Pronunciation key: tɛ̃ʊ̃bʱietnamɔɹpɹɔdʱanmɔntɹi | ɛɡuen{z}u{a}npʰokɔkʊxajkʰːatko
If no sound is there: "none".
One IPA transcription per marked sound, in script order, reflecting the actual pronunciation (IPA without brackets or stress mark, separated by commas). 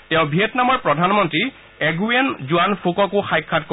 z, a